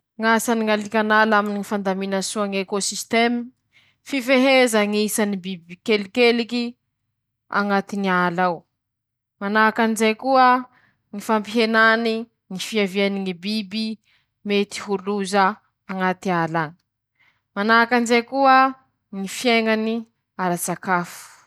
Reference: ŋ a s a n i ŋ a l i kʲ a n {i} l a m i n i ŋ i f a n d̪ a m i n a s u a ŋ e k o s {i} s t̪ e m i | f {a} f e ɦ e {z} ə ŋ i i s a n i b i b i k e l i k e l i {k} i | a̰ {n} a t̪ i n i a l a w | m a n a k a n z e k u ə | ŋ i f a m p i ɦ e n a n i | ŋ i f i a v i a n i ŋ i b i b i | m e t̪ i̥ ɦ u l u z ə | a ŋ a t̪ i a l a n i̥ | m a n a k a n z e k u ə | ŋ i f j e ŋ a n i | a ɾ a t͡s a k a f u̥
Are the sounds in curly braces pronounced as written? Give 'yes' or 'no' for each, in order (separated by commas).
no, yes, no, yes, yes, no